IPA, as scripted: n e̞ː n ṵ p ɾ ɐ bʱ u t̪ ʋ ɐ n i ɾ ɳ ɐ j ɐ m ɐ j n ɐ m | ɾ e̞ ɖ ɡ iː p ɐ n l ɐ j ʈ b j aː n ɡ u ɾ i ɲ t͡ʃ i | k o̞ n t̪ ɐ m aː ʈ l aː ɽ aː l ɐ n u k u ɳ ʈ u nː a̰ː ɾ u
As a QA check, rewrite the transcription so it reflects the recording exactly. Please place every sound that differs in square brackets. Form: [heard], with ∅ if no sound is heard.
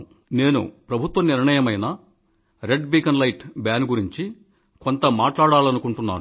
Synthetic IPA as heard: n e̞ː n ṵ p ɾ ɐ bʱ u t̪ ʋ ɐ n i ɾ ɳ ɐ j ɐ m ɐ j n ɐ [∅] | ɾ e̞ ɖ [b] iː [k] ɐ n l ɐ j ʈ b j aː n ɡ u ɾ i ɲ t͡ʃ i | k o̞ n t̪ ɐ m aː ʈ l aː ɽ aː l ɐ n u k u ɳ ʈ u nː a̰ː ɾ u